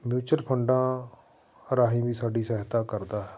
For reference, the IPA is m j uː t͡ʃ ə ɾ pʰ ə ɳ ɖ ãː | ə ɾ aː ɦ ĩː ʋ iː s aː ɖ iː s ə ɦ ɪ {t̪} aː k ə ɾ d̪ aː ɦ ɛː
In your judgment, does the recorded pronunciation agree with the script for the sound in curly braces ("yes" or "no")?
yes